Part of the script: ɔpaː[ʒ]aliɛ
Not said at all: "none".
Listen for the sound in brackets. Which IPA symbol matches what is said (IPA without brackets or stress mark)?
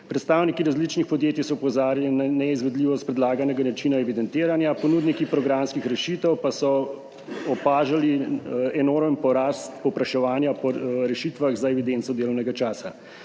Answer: ʒ